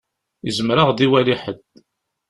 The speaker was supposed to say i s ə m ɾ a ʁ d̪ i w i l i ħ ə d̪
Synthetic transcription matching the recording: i z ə m ɾ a ʁ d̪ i w æ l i ħ ə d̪